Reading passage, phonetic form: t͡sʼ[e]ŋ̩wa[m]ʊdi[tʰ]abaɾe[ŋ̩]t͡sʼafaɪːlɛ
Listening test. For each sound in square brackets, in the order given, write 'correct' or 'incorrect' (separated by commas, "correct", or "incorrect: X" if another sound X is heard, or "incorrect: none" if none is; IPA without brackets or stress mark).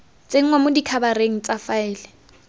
correct, correct, incorrect: kʰ, correct